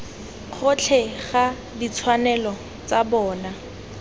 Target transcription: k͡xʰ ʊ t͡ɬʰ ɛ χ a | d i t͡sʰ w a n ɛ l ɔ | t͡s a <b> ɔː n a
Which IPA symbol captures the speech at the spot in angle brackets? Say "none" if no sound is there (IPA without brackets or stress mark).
b